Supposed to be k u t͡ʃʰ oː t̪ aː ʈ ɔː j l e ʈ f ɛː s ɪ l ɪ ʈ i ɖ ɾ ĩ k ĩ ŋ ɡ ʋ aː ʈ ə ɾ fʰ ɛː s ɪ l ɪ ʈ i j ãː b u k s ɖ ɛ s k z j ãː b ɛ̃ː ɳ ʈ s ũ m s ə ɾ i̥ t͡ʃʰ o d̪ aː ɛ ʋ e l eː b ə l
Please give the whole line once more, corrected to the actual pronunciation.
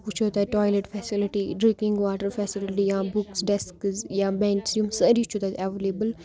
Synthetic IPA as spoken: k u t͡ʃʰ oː t̪ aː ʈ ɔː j l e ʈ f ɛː s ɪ l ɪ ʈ i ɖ ɾ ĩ k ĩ ŋ ɡ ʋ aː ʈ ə ɾ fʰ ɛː s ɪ l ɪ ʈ i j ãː b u k s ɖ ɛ s k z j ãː b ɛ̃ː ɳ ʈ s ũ m s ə ɾ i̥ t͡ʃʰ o t̪ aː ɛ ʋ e l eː b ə l